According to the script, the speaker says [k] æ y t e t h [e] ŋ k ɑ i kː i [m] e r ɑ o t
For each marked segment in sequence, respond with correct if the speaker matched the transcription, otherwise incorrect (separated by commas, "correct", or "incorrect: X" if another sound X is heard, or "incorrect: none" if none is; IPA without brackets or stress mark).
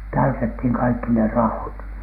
incorrect: t, incorrect: i, incorrect: n